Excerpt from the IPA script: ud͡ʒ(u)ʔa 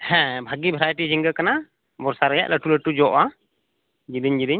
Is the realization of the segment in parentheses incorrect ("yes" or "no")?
yes